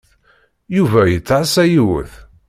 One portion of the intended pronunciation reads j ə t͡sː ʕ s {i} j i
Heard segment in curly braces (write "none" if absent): æ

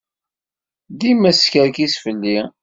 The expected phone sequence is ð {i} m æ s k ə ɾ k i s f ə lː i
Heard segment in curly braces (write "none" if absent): i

